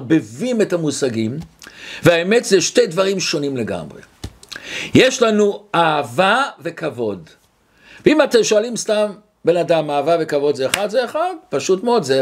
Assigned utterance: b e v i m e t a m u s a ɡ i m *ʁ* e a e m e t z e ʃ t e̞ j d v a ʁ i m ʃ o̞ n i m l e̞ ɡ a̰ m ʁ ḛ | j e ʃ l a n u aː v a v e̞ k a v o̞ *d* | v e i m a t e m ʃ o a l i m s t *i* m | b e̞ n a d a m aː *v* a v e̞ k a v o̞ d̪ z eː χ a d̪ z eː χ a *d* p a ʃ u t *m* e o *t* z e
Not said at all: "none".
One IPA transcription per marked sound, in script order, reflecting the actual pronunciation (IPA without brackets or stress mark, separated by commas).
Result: v, d, a, v, d, m, d